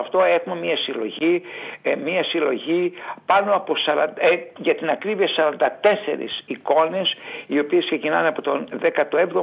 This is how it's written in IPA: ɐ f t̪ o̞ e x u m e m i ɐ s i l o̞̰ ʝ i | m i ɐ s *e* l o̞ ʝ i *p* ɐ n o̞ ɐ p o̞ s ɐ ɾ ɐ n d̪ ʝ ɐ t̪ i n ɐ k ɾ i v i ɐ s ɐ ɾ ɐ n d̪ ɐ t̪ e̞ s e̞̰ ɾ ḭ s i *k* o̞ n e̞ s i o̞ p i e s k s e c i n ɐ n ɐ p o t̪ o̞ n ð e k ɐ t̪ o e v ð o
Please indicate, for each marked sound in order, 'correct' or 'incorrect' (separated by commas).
incorrect, correct, correct